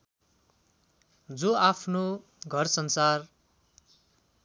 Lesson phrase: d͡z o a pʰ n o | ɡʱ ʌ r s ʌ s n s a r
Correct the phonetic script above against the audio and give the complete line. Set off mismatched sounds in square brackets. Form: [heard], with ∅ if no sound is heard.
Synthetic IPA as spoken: d͡z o a pʰ n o | ɡʱ ʌ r s ʌ [∅] n s a r